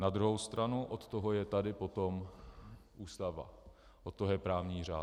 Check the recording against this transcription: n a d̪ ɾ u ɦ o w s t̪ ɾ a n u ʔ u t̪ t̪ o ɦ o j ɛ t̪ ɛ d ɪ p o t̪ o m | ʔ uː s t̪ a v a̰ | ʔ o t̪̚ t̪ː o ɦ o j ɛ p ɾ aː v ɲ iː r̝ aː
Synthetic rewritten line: n a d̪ ɾ u ɦ o w s t̪ ɾ a n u ʔ o t̪ t̪ o ɦ o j ɛ t̪ a d ɪ p o t̪ o m | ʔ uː s t̪ a v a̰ | ʔ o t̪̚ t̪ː o ɦ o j ɛ p ɾ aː v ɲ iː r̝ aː